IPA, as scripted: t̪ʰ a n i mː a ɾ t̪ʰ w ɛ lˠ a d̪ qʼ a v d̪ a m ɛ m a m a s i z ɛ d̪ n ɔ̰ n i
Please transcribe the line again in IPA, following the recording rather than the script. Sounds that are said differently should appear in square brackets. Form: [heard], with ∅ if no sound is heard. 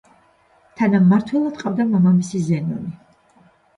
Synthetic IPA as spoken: t̪ʰ a n [a] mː a ɾ t̪ʰ w ɛ lˠ a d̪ qʼ a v d̪ a m [a] m a m [i] s i z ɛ [∅] n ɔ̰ n i